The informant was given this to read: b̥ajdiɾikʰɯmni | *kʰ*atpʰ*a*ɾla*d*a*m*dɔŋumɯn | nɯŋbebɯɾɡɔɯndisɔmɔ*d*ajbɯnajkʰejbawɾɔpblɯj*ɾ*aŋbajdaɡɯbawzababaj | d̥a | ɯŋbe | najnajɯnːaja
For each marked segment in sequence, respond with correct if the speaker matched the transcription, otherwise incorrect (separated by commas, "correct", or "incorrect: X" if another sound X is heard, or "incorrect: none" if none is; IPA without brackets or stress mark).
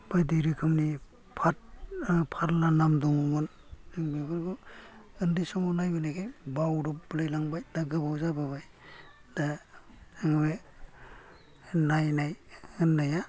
incorrect: pʰ, correct, incorrect: n, correct, incorrect: n, incorrect: l